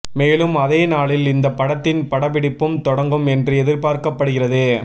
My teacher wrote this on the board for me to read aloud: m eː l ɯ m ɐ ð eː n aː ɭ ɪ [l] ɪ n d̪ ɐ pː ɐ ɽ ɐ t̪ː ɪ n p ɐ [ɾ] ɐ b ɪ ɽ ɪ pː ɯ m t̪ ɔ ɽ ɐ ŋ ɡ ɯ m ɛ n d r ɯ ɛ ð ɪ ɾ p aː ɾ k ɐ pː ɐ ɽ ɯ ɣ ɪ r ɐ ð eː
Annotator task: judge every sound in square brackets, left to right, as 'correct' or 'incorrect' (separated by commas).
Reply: correct, incorrect